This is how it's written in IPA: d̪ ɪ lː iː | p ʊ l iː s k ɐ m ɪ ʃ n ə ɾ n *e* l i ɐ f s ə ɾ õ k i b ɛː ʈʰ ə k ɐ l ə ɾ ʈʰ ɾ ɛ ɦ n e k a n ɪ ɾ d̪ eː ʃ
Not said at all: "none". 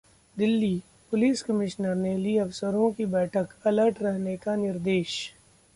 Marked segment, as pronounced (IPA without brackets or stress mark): e